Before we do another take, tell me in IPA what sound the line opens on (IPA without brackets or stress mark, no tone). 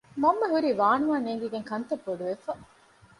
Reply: m